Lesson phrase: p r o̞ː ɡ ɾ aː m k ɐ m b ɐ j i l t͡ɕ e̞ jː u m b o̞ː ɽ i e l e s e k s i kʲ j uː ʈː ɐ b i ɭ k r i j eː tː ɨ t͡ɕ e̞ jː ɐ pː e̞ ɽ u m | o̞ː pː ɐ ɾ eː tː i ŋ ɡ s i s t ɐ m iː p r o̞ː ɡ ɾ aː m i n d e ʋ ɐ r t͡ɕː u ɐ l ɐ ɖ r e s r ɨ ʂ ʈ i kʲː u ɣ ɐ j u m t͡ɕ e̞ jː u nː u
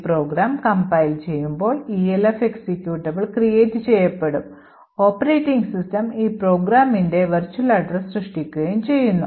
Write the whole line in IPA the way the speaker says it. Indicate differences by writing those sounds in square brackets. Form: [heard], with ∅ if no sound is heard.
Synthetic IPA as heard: p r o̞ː ɡ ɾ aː m k ɐ m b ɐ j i l t͡ɕ e̞ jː u m b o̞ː [ɭ] i e l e [f] e k s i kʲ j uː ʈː ɐ b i ɭ k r i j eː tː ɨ t͡ɕ e̞ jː ɐ pː e̞ ɽ u m | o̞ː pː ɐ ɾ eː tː i ŋ ɡ s i s t ɐ m iː p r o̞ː ɡ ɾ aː m i n d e ʋ ɐ r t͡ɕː u ɐ l ɐ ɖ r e s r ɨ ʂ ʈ i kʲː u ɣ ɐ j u m t͡ɕ e̞ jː u nː u